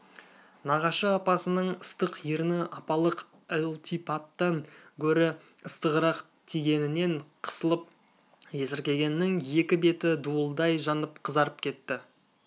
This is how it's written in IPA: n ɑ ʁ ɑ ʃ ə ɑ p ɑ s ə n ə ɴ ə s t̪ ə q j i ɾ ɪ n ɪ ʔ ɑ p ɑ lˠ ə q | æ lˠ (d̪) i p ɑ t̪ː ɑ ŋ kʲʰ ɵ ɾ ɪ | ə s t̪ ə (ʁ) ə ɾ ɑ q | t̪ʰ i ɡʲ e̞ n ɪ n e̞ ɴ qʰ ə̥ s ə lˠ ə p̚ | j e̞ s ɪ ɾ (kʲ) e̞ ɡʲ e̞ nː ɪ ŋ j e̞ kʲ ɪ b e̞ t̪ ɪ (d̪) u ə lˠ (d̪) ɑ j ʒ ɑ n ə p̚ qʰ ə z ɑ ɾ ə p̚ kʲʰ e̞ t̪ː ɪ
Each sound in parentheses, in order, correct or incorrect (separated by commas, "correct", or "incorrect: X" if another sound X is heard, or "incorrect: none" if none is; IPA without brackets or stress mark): incorrect: t̪, correct, correct, correct, correct